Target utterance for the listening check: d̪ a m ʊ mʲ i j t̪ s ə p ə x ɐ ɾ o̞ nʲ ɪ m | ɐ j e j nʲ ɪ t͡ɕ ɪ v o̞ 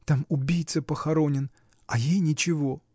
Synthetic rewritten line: t̪ a m ʊ bʲ i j t̪ s ə p ə x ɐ ɾ o̞ nʲ ɪ n | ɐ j e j nʲ ɪ t͡ɕ ɪ v o̞